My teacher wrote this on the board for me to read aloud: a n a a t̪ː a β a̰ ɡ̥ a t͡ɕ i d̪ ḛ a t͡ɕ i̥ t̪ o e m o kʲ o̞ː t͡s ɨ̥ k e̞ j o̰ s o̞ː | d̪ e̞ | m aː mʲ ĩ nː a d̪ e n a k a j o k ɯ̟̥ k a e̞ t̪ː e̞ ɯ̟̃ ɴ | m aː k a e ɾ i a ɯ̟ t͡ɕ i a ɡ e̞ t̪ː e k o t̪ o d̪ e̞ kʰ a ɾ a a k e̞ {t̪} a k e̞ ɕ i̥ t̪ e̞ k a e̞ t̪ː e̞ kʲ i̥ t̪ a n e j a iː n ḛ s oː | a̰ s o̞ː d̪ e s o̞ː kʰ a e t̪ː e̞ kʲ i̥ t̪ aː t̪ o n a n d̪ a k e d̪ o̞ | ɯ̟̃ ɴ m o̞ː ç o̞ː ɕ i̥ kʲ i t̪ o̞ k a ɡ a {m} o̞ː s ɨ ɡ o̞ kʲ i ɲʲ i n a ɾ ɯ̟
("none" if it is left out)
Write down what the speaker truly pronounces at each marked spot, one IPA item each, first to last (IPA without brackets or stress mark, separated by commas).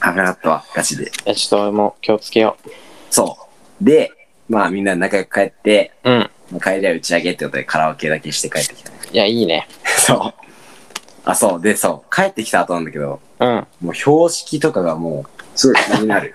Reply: d̪, m